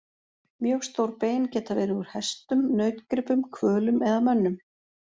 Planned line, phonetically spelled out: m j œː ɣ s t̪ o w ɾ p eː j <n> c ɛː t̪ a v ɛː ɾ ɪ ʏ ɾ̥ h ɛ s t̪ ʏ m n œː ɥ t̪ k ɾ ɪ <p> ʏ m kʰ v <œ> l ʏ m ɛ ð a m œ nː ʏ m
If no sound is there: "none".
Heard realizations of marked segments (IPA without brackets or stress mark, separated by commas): n, p, œː